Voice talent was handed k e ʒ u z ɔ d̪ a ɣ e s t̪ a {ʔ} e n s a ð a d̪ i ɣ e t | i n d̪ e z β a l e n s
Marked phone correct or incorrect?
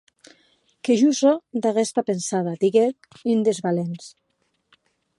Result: incorrect